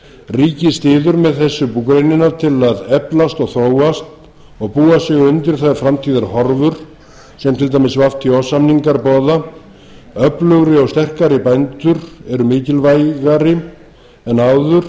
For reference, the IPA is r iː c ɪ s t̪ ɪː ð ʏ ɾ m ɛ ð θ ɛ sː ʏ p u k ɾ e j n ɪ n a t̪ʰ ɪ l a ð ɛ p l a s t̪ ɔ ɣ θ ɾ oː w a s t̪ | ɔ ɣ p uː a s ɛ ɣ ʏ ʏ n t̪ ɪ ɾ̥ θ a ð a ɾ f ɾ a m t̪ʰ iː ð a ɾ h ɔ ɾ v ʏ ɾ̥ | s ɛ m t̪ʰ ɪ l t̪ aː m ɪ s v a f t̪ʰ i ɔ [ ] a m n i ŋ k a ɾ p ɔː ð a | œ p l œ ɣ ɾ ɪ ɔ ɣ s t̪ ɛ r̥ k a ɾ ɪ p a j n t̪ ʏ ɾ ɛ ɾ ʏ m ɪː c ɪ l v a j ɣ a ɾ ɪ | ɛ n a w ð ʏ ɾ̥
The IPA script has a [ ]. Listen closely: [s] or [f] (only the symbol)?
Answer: s